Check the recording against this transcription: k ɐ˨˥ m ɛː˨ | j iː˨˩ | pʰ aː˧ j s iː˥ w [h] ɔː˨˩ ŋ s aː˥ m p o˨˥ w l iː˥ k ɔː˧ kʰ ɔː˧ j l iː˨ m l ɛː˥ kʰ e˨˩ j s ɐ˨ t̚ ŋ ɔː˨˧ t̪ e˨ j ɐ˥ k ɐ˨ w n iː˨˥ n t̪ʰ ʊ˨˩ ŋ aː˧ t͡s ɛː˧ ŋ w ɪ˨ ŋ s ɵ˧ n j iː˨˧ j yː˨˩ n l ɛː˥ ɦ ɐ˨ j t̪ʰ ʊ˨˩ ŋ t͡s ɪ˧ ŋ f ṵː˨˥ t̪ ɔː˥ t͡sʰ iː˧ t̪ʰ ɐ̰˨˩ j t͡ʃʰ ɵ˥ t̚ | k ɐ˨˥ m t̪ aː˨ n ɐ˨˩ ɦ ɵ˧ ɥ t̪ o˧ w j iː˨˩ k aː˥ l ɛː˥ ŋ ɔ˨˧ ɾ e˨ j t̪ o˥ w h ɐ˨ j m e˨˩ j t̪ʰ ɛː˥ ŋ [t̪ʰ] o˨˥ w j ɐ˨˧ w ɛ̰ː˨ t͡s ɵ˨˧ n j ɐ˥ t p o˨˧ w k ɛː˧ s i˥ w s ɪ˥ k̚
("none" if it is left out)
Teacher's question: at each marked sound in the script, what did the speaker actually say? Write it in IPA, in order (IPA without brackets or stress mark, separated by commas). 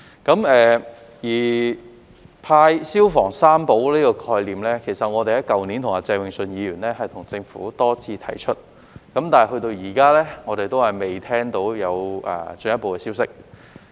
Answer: f, t̪